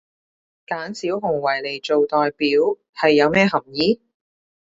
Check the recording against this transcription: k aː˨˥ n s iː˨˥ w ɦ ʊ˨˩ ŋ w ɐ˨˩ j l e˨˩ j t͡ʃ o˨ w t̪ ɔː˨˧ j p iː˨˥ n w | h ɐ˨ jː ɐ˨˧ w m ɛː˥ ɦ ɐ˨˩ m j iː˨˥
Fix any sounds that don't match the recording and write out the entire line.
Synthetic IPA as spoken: k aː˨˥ n s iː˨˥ w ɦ ʊ˨˩ ŋ w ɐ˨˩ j l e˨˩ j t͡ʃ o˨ w t̪ ɔː˨˧ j p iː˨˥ w | h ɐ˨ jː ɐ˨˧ w m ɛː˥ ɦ ɐ˨˩ m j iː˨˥